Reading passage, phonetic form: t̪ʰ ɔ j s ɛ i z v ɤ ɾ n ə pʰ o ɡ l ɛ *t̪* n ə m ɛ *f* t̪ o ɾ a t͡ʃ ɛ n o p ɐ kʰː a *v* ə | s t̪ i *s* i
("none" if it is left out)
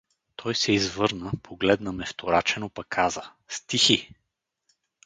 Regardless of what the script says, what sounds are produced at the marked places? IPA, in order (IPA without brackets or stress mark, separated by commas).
d̪, f, z, x